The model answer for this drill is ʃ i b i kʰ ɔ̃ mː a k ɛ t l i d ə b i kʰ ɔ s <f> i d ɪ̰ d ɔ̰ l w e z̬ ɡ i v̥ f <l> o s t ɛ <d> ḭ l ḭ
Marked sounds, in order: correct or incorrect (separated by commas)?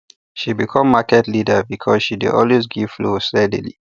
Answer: incorrect, correct, correct